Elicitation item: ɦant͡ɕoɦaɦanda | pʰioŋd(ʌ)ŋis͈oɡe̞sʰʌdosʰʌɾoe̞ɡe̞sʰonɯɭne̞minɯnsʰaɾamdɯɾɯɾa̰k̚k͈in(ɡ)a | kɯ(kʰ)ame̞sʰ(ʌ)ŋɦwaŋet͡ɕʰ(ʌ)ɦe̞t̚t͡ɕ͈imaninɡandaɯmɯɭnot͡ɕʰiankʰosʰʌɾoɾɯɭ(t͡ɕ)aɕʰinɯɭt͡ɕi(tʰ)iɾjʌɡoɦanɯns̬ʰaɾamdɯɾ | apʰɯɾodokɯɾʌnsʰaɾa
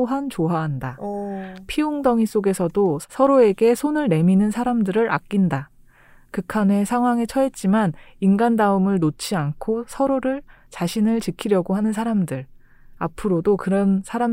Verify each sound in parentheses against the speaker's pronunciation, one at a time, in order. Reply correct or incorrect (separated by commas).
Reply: correct, incorrect, correct, incorrect, correct, correct, incorrect